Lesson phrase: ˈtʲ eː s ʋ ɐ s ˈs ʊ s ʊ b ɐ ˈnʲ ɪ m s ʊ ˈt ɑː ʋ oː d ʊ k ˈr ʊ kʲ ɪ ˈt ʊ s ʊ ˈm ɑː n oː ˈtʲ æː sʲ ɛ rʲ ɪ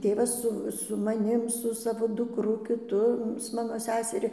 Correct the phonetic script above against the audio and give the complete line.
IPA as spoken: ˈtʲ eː ʋ ɐ s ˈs ʊ s ʊ m ɐ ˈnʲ ɪ m s ʊ ˈs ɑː ʋ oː d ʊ k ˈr ʊ kʲ ɪ ˈt ʊ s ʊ ˈm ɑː n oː ˈsʲ æː sʲ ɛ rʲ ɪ